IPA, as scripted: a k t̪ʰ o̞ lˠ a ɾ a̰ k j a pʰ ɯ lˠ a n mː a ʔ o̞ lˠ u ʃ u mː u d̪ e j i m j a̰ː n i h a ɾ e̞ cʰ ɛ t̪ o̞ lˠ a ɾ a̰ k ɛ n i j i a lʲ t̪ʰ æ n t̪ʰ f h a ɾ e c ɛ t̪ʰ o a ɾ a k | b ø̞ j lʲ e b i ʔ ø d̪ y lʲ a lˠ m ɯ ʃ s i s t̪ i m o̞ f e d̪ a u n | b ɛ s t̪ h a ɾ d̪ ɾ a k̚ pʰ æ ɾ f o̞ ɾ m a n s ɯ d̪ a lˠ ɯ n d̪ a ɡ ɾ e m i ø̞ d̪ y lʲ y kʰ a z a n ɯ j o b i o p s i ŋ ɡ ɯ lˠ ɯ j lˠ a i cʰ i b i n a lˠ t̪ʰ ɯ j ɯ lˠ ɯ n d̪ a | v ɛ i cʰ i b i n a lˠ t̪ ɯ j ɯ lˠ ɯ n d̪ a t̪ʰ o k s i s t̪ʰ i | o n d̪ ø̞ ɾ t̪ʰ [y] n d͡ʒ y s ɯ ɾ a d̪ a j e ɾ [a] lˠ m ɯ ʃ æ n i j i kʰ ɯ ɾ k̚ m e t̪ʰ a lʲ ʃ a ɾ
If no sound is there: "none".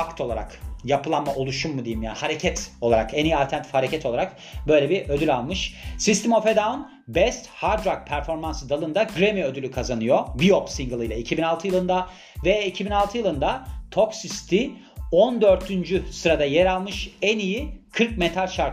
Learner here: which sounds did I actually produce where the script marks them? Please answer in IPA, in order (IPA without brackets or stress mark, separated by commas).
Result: y, a